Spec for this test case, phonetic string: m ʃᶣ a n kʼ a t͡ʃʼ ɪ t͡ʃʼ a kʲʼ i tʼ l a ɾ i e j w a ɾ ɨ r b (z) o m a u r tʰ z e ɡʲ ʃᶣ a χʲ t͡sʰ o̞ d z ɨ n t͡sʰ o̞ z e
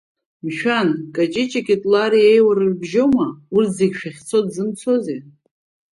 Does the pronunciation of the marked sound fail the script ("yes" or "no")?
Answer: yes